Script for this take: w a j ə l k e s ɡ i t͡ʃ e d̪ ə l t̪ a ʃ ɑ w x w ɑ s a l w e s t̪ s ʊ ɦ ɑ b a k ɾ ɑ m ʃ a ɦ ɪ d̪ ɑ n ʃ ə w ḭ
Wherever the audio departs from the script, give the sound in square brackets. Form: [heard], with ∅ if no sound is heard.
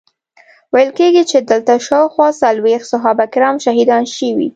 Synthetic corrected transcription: w a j ə l k e [∅] ɡ i t͡ʃ e d̪ ə l t̪ a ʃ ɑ w x w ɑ s a l w e [x] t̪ s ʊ ɦ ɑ b a k ɾ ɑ m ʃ a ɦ [i] d̪ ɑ n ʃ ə w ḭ